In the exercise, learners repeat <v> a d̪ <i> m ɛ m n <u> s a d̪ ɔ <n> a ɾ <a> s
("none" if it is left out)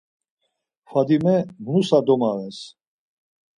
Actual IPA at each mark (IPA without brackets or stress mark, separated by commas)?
f, i, u, m, ɛ